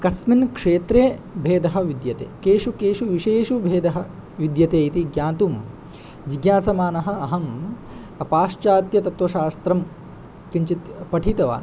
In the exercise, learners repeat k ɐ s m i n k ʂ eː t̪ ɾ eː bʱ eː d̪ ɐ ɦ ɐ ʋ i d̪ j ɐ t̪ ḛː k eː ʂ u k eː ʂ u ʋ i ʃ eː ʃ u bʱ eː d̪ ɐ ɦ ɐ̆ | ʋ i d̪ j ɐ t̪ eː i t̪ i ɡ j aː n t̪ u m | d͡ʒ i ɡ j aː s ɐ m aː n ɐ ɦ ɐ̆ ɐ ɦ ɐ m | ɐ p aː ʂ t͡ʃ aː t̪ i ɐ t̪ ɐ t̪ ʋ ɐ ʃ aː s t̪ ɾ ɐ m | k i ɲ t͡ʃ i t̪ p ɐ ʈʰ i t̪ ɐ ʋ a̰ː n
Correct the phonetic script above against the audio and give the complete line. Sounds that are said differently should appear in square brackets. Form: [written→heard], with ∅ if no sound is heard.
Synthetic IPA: k ɐ s m i n k ʂ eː t̪ ɾ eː bʱ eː d̪ ɐ ɦ ɐ ʋ i d̪ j ɐ t̪ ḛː k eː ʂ u k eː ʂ u ʋ i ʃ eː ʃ u bʱ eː d̪ ɐ ɦ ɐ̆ | ʋ i d̪ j ɐ t̪ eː i t̪ i ɡ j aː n t̪ u m | d͡ʒ i ɡ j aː s ɐ m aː n ɐ ɦ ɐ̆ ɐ ɦ ɐ m | ɐ p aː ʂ t͡ʃ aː t̪ [i→j] ɐ t̪ ɐ t̪ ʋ ɐ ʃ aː s t̪ ɾ ɐ m | k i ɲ t͡ʃ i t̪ p ɐ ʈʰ i t̪ ɐ ʋ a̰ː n